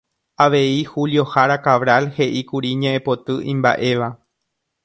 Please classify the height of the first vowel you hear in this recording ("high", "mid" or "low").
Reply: low